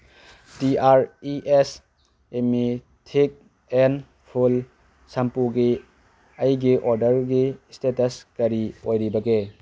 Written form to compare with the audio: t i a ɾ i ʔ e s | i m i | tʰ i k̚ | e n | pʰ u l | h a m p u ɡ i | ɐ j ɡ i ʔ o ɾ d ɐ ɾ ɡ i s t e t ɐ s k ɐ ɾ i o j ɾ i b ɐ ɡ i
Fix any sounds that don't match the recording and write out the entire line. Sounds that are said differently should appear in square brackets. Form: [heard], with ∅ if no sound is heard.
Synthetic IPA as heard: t i a ɾ i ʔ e s | [e] m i | tʰ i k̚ | e n | pʰ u l | [s] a m p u ɡ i | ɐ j ɡ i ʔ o ɾ d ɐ ɾ ɡ i s t e t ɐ s k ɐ ɾ i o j ɾ i b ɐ ɡ [e]